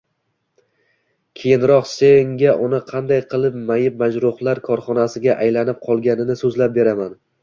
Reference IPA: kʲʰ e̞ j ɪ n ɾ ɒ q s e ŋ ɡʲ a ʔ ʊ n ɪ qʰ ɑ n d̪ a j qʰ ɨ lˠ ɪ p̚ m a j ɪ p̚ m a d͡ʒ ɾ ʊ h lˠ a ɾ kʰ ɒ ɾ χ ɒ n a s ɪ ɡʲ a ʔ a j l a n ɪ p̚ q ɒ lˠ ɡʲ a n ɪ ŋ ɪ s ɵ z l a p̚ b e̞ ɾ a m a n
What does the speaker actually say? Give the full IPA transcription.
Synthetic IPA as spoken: kʲʰ e̞ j ɪ n ɾ ɒ q s e ŋ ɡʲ a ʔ ʊ n ɪ qʰ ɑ n d̪ a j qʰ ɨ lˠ ɪ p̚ m a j ɪ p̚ m a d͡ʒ ɾ ʊ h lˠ a ɾ kʰ ɒ ɾ χ ɒ n a s ɪ ɡʲ a ʔ a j l a n ɪ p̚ qʰ ɒ lˠ ɡʲ a n ɪ n ɪ s ɵ z l a p̚ b e̞ ɾ a m a n